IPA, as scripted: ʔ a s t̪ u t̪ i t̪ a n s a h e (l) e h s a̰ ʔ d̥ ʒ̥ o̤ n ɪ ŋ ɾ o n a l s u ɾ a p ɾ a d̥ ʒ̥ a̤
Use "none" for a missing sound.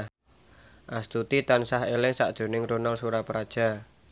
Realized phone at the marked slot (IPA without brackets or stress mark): l